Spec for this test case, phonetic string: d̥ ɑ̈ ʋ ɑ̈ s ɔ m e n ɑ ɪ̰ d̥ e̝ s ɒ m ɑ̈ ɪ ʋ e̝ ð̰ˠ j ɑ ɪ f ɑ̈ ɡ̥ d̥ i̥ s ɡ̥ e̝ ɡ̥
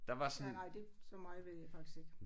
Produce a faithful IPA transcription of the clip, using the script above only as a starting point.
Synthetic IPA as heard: d̥ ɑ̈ ʋ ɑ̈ s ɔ n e n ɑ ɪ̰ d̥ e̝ s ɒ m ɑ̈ ɪ ʋ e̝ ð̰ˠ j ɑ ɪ f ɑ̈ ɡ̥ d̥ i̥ s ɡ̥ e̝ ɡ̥